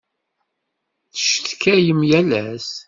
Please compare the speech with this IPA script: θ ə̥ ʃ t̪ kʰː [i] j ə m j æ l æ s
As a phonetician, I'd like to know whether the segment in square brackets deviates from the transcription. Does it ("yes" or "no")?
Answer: yes